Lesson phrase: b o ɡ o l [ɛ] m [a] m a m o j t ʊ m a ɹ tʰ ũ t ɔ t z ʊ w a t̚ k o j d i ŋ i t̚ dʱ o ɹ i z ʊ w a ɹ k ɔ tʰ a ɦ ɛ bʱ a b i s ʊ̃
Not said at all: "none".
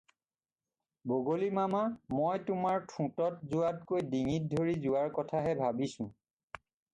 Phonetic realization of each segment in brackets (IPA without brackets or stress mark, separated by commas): i, a